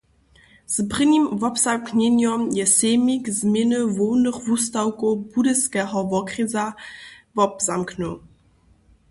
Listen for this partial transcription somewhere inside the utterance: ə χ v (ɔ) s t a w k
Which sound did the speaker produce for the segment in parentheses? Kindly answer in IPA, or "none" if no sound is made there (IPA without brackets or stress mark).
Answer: u